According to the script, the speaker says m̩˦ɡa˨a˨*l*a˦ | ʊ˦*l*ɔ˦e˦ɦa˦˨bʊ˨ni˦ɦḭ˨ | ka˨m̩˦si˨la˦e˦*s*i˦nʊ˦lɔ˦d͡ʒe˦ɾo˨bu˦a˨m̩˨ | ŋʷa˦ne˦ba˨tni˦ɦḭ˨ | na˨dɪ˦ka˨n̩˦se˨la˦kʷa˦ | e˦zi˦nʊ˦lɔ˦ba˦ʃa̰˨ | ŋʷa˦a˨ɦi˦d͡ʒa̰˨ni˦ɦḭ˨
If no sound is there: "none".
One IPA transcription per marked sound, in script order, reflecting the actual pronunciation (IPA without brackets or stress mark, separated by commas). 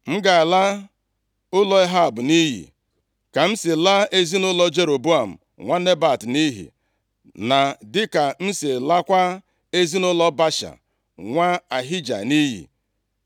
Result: l, l, z